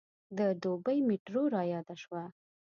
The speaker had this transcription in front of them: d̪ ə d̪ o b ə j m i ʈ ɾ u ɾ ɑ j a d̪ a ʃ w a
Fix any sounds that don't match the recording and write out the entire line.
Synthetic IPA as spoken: d̪ ə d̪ o b ə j m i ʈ ɾ o ɾ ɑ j ɑ d̪ a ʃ w a